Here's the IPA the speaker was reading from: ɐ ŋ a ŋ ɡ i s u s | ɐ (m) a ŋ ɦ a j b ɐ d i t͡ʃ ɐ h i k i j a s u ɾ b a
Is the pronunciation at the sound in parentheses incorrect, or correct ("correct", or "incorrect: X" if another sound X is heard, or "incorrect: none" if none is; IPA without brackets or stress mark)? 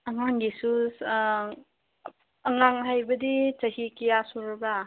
incorrect: ŋ